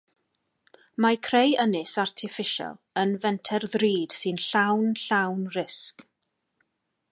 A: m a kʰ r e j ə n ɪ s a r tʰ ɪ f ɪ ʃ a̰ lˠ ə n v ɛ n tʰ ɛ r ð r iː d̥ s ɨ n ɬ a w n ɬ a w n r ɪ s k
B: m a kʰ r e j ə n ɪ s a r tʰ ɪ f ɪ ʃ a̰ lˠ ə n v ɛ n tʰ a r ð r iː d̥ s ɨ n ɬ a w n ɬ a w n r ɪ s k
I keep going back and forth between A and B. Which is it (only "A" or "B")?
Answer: A